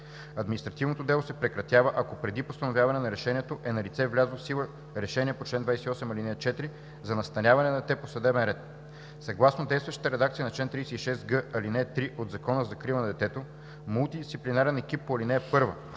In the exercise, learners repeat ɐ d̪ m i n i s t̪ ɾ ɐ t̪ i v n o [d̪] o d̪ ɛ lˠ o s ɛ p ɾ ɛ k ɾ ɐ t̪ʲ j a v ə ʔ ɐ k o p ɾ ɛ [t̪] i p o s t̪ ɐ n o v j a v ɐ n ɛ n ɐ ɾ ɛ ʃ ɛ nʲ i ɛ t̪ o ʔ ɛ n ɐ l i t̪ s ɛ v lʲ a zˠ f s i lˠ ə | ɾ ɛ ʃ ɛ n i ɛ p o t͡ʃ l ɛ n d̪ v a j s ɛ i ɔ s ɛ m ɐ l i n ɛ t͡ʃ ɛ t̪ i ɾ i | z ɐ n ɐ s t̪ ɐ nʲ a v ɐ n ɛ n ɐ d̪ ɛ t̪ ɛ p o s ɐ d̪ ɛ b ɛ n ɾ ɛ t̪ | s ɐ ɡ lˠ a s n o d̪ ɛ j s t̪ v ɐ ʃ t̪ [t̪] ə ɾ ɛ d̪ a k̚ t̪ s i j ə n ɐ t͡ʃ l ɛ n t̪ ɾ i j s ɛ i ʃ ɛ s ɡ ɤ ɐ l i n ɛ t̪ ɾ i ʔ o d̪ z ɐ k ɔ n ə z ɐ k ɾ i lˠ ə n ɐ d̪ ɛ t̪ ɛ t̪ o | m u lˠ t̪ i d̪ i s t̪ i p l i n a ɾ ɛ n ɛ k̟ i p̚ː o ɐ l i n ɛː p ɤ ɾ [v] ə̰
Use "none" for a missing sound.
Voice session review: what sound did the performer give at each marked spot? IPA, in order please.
t̪, d̪, t̪, v

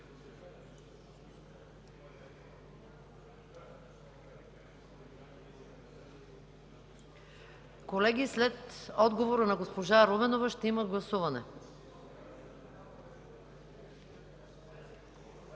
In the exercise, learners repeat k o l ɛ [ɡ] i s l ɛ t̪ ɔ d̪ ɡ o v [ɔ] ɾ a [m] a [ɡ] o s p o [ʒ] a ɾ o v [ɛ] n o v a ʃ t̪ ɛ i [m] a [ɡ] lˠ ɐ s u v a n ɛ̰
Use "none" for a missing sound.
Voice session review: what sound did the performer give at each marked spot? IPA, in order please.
ɡ, o, n, ɡ, ʒ, ɛ, m, ɡ

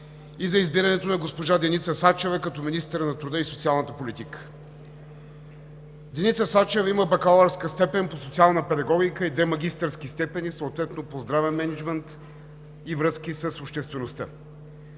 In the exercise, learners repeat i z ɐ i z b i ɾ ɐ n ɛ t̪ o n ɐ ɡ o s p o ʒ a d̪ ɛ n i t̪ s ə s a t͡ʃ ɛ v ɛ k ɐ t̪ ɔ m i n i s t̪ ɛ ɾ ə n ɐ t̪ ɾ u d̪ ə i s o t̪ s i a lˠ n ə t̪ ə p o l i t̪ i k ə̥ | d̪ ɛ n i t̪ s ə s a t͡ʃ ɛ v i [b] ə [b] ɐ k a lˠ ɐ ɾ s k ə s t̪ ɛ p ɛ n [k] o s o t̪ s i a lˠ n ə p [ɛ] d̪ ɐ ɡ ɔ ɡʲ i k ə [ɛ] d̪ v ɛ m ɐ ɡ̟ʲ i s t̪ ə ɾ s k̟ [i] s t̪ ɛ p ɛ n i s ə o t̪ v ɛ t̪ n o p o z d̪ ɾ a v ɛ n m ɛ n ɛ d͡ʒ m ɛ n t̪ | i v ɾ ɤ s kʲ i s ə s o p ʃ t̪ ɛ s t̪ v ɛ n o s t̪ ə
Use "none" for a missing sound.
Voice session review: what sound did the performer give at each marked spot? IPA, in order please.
m, b, p, ɛ, i, i

